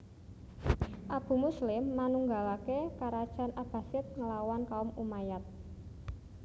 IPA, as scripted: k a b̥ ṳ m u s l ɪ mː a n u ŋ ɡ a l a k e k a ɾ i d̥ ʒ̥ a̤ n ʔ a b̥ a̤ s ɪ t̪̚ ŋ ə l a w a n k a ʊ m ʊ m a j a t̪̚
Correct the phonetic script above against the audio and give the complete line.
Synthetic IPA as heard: ʔ a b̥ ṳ m u s l ɪ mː a n u ŋ ɡ a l a k e k a ɾ a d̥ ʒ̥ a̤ n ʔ a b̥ a̤ s ɪ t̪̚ ŋ ə l a w a n k a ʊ m u m a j a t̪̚